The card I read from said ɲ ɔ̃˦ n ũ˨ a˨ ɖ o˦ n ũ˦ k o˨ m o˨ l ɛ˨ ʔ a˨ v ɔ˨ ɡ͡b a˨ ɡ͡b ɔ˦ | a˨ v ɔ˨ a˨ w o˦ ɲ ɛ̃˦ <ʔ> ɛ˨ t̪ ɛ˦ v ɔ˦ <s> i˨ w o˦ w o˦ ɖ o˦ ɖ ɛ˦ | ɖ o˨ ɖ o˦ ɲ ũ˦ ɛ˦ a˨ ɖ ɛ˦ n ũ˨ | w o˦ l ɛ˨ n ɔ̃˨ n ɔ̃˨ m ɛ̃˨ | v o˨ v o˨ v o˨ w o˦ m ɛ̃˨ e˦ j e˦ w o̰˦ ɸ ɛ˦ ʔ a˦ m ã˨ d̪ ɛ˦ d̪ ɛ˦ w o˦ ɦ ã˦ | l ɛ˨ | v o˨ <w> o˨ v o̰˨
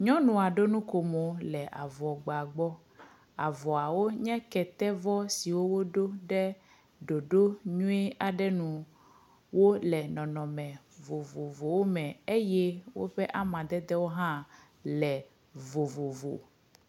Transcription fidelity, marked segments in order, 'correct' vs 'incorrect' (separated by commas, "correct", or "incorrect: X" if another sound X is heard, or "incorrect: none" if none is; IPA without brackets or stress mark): incorrect: k, correct, incorrect: v